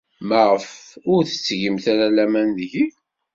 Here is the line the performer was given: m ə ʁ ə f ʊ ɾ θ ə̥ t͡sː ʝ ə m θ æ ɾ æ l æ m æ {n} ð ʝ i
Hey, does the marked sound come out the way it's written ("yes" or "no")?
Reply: yes